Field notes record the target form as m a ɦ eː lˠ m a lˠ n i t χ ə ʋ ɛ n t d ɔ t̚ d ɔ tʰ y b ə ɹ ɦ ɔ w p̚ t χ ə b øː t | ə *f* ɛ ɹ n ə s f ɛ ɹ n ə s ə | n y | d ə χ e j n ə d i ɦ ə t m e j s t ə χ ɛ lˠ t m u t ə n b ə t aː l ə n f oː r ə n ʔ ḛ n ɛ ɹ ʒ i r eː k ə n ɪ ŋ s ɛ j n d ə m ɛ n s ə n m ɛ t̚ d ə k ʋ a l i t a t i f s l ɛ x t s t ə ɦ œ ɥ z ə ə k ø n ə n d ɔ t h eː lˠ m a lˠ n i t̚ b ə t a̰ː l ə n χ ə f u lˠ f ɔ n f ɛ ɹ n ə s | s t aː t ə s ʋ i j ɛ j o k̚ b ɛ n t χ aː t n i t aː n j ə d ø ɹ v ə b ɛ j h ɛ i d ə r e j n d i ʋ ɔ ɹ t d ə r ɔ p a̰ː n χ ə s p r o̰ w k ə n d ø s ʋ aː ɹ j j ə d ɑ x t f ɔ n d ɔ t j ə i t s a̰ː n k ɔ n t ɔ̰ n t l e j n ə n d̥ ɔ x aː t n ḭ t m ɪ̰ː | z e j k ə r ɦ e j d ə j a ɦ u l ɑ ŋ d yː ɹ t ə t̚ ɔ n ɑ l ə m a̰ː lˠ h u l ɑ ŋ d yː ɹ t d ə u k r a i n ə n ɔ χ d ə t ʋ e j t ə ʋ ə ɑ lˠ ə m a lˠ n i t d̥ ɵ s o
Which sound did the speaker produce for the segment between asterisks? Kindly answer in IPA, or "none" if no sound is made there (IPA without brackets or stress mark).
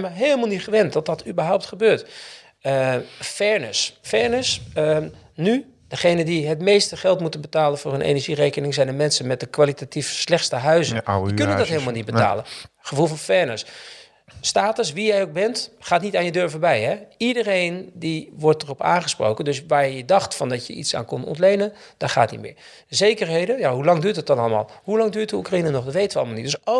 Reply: f